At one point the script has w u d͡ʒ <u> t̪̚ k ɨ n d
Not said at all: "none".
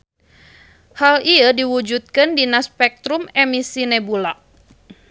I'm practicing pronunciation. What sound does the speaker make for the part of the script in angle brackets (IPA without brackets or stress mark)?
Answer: u